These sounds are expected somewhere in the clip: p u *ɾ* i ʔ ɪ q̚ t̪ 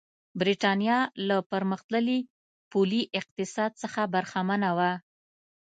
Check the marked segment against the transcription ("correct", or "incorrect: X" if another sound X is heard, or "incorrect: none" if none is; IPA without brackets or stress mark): incorrect: l